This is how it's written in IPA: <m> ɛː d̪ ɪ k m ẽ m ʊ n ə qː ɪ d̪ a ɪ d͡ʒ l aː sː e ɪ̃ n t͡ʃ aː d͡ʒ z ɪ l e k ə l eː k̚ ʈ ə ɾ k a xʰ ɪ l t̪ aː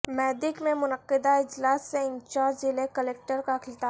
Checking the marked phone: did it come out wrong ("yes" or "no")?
no